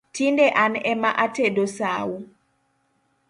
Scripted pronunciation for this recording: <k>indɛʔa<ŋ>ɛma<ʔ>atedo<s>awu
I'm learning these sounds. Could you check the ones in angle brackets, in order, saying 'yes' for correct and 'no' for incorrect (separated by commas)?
no, no, yes, yes